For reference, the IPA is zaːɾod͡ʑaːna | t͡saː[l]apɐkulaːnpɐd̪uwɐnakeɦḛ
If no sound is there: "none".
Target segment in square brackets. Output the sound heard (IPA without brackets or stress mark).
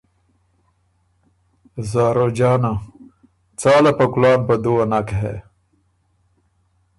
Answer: l